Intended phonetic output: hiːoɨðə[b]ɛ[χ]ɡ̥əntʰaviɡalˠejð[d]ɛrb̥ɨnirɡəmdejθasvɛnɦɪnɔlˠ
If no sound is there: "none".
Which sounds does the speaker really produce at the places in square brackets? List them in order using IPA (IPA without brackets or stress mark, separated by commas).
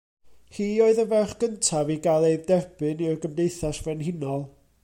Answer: v, χ, d